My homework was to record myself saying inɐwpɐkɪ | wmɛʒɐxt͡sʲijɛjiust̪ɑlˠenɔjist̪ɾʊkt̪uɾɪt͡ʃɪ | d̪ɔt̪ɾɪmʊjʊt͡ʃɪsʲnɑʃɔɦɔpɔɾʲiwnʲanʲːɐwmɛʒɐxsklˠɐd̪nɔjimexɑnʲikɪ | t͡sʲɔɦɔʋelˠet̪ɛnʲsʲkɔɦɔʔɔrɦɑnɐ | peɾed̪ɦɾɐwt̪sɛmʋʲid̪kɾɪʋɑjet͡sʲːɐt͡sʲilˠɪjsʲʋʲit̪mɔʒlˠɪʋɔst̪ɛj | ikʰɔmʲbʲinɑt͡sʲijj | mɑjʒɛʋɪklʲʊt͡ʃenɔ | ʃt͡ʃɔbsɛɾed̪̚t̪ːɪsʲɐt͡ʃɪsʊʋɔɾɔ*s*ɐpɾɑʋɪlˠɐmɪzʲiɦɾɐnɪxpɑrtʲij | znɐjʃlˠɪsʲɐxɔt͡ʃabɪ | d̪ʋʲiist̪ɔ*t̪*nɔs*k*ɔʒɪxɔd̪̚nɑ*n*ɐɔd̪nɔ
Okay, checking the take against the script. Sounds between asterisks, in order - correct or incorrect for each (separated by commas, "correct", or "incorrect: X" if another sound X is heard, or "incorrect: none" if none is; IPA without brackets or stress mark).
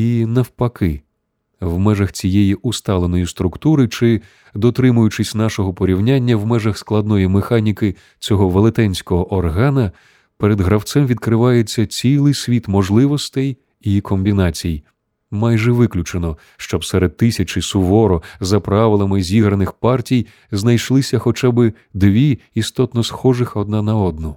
incorrect: z, correct, incorrect: x, correct